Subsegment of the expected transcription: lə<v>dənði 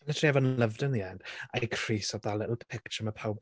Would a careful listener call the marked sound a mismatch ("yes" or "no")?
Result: no